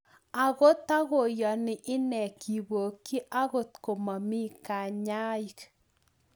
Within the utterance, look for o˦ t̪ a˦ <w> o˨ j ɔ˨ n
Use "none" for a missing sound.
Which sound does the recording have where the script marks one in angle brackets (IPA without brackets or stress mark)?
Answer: ɣ